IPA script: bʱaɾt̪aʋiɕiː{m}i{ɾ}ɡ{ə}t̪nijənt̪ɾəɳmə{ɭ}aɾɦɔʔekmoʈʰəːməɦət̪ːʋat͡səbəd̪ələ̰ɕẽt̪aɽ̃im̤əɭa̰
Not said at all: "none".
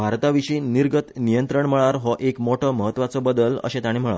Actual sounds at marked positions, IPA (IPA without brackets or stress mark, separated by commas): n, ɾ, ə, ɭ